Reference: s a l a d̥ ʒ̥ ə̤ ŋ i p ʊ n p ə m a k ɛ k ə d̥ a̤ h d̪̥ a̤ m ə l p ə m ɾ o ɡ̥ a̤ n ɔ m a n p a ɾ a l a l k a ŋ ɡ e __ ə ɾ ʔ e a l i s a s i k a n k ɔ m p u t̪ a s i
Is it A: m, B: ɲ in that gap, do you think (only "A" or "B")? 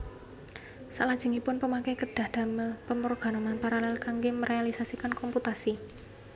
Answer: A